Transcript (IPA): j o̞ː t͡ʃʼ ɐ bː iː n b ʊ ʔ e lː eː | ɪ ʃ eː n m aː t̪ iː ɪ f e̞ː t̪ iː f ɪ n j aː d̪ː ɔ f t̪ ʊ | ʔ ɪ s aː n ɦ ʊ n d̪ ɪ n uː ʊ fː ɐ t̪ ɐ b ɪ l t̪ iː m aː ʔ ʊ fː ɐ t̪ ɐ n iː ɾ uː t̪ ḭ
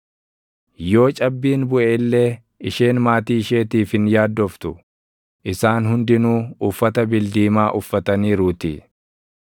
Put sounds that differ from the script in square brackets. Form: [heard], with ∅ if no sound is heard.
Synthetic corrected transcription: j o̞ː t͡ʃʼ ɐ bː iː n b ʊ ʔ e lː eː | ɪ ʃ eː n m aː t̪ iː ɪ [ʃ] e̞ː t̪ iː f ɪ n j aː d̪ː ɔ f t̪ ʊ | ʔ ɪ s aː n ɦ ʊ n d̪ ɪ n uː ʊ fː ɐ t̪ ɐ b ɪ l [d̪] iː m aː ʔ ʊ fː ɐ t̪ ɐ n iː ɾ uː t̪ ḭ